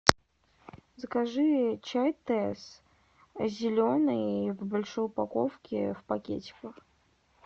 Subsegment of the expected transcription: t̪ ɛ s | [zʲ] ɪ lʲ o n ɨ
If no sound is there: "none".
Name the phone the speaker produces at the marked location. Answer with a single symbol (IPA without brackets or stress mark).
zʲ